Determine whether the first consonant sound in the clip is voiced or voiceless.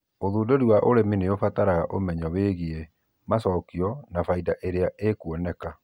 voiced